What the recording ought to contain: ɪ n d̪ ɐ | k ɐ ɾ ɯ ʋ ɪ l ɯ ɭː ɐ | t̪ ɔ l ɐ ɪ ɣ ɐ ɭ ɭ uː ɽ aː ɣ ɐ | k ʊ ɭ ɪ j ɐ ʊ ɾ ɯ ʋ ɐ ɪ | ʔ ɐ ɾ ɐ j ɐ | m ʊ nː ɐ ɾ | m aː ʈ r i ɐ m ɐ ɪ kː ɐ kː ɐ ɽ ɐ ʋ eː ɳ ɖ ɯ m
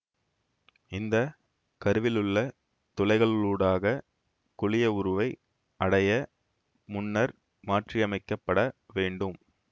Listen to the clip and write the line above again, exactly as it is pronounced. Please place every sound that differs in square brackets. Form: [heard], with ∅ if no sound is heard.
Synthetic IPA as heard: ɪ n d̪ ɐ | k ɐ ɾ ɯ ʋ ɪ l ɯ ɭː ɐ | t̪ ɔ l ɐ ɪ ɣ ɐ ɭ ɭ uː ɽ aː ɣ ɐ | k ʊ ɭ ɪ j ɐ ʊ ɾ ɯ ʋ ɐ ɪ | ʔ ɐ [ɽ] ɐ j ɐ | m ʊ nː ɐ ɾ | m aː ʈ r i ɐ m ɐ ɪ kː ɐ [pː] ɐ ɽ ɐ ʋ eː ɳ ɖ ɯ m

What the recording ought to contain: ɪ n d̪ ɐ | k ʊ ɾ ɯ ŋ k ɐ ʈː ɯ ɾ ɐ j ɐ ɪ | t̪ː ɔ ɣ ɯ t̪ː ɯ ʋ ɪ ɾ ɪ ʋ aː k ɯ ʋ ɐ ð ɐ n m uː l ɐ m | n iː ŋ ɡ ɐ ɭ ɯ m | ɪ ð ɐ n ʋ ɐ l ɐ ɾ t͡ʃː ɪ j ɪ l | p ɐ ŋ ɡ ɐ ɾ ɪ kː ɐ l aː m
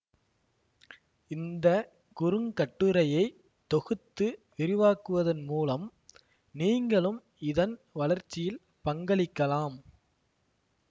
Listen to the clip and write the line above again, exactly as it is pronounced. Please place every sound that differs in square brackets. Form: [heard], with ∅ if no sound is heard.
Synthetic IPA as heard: ɪ n d̪ ɐ | k ʊ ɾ ɯ ŋ k ɐ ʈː ɯ ɾ ɐ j ɐ ɪ | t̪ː ɔ ɣ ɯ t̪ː ɯ ʋ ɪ ɾ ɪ ʋ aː k ɯ ʋ ɐ ð ɐ n m uː l ɐ m | n iː ŋ ɡ ɐ ɭ ɯ m | ɪ ð ɐ n ʋ ɐ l ɐ ɾ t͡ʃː ɪ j ɪ l | p ɐ ŋ ɡ ɐ [ɭ] ɪ kː ɐ l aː m

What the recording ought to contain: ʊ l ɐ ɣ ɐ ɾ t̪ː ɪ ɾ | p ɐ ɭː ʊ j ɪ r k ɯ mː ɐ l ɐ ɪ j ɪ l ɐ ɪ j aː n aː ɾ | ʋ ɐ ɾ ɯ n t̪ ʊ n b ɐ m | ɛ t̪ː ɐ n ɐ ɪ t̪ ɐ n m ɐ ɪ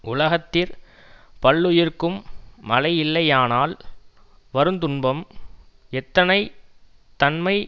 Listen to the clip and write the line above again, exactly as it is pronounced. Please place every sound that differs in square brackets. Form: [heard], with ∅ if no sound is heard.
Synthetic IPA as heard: ʊ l ɐ ɣ ɐ [∅] t̪ː ɪ ɾ | p ɐ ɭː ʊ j ɪ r k ɯ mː ɐ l ɐ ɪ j ɪ [lː] ɐ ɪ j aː n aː [l] | ʋ ɐ ɾ ɯ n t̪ ʊ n b ɐ m | ɛ t̪ː ɐ n ɐ ɪ t̪ ɐ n m ɐ ɪ

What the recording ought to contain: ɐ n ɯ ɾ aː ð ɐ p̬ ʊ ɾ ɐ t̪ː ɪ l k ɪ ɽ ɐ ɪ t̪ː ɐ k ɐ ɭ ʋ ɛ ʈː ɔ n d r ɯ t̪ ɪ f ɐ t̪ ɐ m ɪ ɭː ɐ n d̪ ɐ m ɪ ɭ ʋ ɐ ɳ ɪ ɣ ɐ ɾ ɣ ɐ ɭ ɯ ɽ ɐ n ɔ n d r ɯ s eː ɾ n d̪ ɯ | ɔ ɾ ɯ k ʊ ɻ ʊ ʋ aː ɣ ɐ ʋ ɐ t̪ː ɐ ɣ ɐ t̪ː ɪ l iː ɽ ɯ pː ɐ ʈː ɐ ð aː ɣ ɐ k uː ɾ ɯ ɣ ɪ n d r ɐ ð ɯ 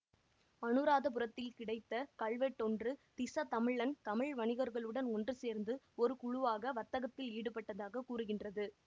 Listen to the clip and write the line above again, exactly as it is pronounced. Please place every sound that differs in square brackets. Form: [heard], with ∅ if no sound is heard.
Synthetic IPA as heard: ɐ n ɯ ɾ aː ð ɐ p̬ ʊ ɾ ɐ t̪ː ɪ l k ɪ ɽ ɐ ɪ t̪ː ɐ k ɐ ɭ ʋ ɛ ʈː ɔ n d r ɯ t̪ ɪ [s] ɐ t̪ ɐ m ɪ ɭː ɐ n [t̪] ɐ m ɪ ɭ ʋ ɐ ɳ ɪ ɣ ɐ ɾ ɣ ɐ ɭ ɯ ɽ ɐ n ɔ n d r ɯ s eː ɾ n d̪ ɯ | ɔ ɾ ɯ k ʊ ɻ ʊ ʋ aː ɣ ɐ ʋ ɐ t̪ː ɐ ɣ ɐ t̪ː ɪ l iː ɽ ɯ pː ɐ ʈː ɐ ð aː ɣ ɐ k uː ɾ ɯ ɣ ɪ n d r ɐ ð ɯ

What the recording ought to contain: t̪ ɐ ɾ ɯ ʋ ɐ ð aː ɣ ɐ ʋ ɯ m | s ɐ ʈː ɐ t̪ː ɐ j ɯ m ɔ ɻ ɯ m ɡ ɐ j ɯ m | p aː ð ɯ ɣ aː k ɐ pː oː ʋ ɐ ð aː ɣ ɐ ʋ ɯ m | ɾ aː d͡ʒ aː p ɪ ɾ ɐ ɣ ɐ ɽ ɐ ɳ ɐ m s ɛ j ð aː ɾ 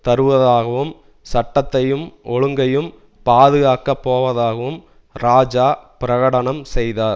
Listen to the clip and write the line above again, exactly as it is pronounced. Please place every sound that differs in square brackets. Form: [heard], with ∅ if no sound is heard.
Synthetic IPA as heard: t̪ ɐ ɾ ɯ ʋ ɐ ð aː ɣ ɐ ʋ ɯ m | s ɐ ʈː ɐ t̪ː ɐ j ɯ m ɔ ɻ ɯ [ŋ] ɡ ɐ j ɯ m | p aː ð ɯ ɣ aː k ɐ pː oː ʋ ɐ ð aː ɣ ɐ ʋ ɯ m | ɾ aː d͡ʒ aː p ɪ ɾ ɐ ɣ ɐ ɽ ɐ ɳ ɐ m s ɛ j ð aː ɾ

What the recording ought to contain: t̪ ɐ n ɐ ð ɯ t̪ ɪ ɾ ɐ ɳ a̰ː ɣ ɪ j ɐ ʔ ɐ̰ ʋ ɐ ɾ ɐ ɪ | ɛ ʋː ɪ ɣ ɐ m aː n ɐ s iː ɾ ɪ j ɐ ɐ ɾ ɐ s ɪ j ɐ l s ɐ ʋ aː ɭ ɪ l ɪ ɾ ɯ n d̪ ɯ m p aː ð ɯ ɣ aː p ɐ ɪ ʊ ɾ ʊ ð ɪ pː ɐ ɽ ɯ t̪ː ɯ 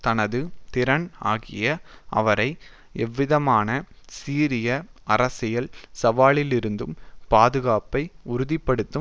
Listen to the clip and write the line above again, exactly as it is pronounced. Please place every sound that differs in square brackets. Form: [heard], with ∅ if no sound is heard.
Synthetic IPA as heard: t̪ ɐ n ɐ ð ɯ t̪ ɪ ɾ ɐ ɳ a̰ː ɣ ɪ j ɐ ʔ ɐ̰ ʋ ɐ ɾ ɐ ɪ | ɛ ʋː ɪ [ð] ɐ m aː n ɐ s iː ɾ ɪ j ɐ ɐ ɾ ɐ s ɪ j ɐ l s ɐ ʋ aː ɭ ɪ l ɪ ɾ ɯ n d̪ ɯ m p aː ð ɯ ɣ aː p ɐ ɪ ʊ ɾ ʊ ð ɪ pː ɐ ɽ ɯ t̪ː ɯ

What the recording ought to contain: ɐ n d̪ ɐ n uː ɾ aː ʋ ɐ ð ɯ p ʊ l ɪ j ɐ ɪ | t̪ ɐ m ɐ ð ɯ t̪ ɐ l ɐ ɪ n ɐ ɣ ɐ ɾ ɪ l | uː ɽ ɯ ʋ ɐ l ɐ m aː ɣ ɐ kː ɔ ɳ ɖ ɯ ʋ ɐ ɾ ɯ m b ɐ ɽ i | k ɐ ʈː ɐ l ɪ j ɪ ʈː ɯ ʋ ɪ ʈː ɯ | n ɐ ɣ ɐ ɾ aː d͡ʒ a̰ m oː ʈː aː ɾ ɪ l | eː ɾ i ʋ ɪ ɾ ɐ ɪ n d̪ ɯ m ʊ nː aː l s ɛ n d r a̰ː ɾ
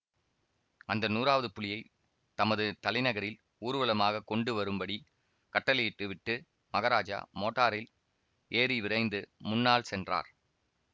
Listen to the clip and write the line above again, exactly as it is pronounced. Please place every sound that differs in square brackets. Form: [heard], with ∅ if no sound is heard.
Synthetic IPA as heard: ɐ n d̪ ɐ n uː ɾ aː ʋ ɐ ð ɯ p ʊ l ɪ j ɐ ɪ | t̪ ɐ m ɐ ð ɯ t̪ ɐ l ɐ ɪ n ɐ ɣ ɐ ɾ ɪ l | uː [ɾ] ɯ ʋ ɐ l ɐ m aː ɣ ɐ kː ɔ ɳ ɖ ɯ ʋ ɐ ɾ ɯ m b ɐ ɽ i | k ɐ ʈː ɐ l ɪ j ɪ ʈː ɯ ʋ ɪ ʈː ɯ | [m] ɐ ɣ ɐ ɾ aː d͡ʒ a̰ m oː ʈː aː ɾ ɪ l | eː ɾ i ʋ ɪ ɾ ɐ ɪ n d̪ ɯ m ʊ nː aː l s ɛ n d r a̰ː ɾ

